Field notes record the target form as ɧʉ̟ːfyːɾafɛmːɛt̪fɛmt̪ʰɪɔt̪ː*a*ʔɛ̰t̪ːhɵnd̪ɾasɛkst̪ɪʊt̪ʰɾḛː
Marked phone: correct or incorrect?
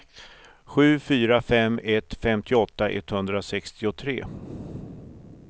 correct